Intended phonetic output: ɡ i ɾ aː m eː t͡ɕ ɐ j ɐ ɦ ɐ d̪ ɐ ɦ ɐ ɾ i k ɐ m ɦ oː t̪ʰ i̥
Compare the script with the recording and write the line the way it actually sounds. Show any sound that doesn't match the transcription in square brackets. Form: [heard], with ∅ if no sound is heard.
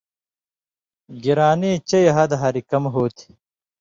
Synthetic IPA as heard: ɡ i ɾ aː [n] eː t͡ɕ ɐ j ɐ ɦ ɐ d̪ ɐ ɦ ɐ ɾ i k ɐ m ɦ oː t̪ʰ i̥